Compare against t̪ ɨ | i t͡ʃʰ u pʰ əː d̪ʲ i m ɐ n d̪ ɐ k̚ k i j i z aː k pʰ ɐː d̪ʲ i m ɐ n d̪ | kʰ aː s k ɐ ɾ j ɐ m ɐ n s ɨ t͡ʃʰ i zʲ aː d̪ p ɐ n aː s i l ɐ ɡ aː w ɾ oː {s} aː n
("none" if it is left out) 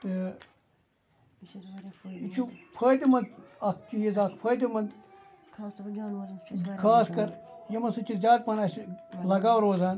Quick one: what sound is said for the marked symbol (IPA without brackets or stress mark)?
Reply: z